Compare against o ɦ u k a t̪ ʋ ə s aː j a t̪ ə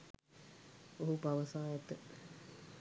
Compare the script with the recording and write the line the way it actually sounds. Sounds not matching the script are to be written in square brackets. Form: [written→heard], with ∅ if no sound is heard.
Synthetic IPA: o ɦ u [k→p] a [t̪→∅] ʋ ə s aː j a t̪ ə